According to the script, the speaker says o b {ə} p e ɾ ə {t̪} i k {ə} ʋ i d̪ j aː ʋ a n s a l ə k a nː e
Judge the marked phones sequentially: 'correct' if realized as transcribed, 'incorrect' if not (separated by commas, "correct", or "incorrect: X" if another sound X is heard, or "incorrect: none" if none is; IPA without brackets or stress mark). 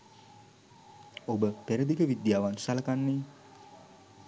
correct, incorrect: d̪, correct